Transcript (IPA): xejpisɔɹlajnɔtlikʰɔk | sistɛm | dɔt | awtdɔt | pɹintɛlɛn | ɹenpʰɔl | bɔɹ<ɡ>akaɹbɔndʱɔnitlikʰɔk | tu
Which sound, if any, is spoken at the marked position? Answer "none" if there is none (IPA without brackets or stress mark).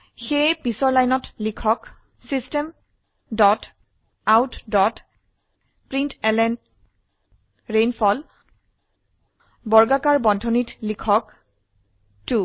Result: ɡ